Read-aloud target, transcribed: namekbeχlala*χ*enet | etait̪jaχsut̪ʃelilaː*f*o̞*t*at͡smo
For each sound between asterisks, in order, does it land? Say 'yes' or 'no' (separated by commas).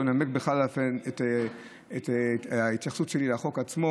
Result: no, no, no